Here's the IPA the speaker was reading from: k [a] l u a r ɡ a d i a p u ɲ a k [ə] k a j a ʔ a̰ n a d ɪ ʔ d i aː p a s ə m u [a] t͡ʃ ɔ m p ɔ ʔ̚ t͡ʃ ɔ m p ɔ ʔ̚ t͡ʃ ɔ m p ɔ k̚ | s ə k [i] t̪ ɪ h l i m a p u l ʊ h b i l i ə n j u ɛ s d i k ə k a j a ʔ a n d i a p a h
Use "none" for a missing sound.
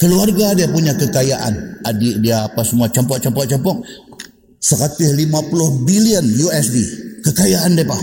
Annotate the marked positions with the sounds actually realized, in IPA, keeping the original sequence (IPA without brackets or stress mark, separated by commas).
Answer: ə, ə, a, a